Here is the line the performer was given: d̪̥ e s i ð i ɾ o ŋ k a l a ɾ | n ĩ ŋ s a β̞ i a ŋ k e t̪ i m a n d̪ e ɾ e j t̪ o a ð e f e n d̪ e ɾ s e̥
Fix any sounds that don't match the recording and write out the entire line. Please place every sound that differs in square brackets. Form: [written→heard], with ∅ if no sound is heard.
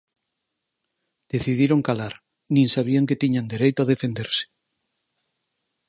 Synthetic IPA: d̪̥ e [s→θ] i ð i ɾ o ŋ k a l a ɾ | n ĩ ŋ s a β̞ i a ŋ k e t̪ i [m→ɲ] a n d̪ e ɾ e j t̪ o a ð e f e n d̪ e ɾ s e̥